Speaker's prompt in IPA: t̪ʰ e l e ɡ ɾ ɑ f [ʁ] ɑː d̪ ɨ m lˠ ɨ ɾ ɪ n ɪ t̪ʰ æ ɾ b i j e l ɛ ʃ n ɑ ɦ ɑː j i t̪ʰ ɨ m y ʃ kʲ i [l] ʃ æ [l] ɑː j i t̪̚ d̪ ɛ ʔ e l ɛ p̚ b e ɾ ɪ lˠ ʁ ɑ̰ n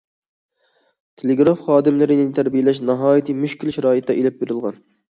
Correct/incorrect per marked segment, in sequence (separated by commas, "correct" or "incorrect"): incorrect, correct, incorrect